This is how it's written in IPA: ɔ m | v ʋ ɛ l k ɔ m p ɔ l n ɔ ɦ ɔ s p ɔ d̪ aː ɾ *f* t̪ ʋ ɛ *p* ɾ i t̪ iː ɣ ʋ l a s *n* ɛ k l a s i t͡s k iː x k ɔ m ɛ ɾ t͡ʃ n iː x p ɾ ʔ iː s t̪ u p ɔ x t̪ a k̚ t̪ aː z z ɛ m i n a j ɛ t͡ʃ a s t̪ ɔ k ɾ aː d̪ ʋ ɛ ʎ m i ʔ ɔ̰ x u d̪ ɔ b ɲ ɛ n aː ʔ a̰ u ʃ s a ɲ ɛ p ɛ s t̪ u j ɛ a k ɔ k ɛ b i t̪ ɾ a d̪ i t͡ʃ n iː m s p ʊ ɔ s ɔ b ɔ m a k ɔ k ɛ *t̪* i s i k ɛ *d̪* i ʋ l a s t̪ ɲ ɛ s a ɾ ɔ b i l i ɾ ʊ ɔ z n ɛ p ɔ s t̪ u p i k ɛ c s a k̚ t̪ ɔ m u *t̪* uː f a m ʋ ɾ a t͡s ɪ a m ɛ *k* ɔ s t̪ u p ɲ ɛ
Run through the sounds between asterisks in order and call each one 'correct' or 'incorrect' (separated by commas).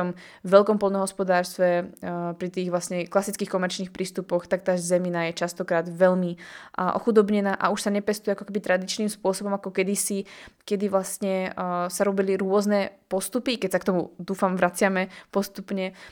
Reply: incorrect, correct, incorrect, incorrect, correct, incorrect, incorrect